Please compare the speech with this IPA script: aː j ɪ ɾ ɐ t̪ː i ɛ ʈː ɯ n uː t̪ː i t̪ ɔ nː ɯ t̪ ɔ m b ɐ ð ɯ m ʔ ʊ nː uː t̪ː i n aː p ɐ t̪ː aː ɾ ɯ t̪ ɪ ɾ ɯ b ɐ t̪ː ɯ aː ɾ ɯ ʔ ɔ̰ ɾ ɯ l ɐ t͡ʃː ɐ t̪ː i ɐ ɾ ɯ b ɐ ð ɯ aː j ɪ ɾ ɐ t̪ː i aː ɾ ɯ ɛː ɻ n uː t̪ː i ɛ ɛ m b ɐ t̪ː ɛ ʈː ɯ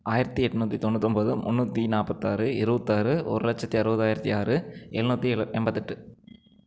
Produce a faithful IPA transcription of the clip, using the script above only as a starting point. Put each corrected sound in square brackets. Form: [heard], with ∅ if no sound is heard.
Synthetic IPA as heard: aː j ɪ ɾ ɐ t̪ː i ɛ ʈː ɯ n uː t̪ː i t̪ ɔ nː ɯ t̪ ɔ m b ɐ ð ɯ m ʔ ʊ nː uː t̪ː i n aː p ɐ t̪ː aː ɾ ɯ [∅] ɪ ɾ ɯ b ɐ t̪ː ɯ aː ɾ ɯ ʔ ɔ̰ ɾ ɯ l ɐ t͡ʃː ɐ t̪ː i ɐ ɾ ɯ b ɐ ð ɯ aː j ɪ ɾ ɐ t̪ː i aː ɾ ɯ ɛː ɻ n uː t̪ː i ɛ ɛ m b ɐ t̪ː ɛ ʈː ɯ